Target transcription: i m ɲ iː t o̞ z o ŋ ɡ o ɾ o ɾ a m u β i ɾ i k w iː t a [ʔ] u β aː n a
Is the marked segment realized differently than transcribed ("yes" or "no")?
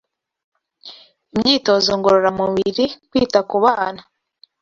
yes